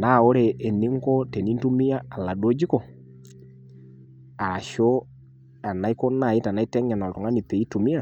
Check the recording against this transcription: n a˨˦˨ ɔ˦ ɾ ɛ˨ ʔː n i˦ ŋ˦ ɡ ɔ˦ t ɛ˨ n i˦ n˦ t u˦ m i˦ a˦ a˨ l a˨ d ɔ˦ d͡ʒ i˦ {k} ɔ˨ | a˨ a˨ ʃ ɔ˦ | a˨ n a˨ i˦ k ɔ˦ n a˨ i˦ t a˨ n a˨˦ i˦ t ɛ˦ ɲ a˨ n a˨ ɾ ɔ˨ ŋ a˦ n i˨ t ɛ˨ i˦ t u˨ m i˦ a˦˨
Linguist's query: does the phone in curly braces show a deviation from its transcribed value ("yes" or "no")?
no